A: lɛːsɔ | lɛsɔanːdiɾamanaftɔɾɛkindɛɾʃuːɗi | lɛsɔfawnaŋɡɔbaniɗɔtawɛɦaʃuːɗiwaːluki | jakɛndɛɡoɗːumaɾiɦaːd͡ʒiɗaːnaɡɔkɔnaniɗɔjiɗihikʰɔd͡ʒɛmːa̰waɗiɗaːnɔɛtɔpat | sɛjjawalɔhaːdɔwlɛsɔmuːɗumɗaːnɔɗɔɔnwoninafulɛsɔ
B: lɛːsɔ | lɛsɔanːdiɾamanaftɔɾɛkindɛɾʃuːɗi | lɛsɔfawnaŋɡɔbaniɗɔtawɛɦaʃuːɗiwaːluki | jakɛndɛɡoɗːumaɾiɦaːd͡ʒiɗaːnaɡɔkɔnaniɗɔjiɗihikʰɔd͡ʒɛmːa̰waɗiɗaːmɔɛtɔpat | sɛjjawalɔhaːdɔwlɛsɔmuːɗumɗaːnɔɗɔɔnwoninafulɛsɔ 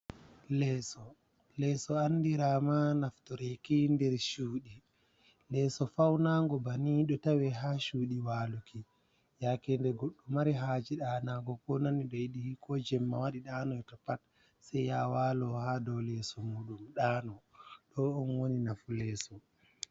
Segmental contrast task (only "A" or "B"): A